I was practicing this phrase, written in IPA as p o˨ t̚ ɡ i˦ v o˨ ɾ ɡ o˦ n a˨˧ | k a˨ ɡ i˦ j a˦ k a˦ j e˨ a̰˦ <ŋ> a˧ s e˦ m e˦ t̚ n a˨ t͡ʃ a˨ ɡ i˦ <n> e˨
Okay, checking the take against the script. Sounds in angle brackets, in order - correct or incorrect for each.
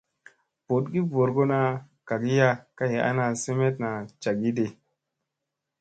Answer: incorrect, incorrect

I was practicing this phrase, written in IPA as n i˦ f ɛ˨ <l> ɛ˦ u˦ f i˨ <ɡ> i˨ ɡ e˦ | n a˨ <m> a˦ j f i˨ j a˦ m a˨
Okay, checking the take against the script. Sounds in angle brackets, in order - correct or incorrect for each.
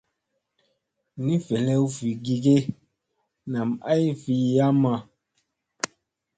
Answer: correct, correct, correct

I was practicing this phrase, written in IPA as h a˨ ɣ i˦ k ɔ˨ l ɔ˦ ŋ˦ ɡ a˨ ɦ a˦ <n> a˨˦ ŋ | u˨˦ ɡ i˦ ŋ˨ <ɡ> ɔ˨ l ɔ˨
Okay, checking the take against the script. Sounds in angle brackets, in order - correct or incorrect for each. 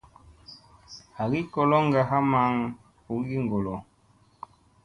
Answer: incorrect, correct

